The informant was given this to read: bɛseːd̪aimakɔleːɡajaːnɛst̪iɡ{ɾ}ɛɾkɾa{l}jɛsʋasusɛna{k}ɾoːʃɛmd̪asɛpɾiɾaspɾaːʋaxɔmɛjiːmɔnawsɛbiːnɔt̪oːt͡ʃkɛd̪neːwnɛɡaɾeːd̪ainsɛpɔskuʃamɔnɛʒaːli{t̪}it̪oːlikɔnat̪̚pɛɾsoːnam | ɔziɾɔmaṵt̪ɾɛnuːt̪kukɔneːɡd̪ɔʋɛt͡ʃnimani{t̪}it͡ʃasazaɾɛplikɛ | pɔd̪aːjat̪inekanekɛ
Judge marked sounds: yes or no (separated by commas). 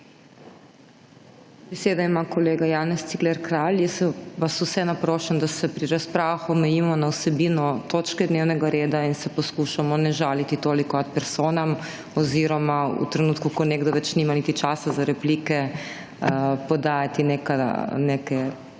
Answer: no, yes, no, yes, yes